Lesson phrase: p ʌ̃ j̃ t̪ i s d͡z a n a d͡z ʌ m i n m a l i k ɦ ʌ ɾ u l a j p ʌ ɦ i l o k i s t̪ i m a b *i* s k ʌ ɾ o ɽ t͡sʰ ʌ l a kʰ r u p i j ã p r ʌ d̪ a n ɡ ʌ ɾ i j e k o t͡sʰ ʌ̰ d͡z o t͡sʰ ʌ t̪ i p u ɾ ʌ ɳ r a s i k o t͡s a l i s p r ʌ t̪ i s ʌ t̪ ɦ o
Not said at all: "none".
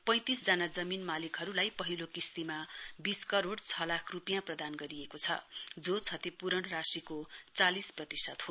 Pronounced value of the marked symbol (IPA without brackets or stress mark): i